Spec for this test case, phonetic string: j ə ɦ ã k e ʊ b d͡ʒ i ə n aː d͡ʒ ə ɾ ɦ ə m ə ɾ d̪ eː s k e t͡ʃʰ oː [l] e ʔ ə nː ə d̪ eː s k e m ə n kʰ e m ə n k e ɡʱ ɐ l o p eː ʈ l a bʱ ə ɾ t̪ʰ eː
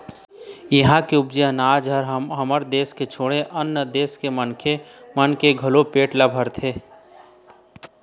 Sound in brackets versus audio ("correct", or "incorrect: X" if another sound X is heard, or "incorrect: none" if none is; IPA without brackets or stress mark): incorrect: ɽ